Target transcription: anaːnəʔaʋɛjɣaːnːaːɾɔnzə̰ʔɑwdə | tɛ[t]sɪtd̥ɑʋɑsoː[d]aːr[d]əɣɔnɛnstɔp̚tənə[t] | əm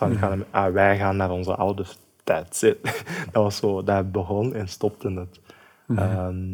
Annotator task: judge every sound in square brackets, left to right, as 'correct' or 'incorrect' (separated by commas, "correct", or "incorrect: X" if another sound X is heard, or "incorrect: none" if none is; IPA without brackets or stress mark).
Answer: correct, correct, incorrect: b, correct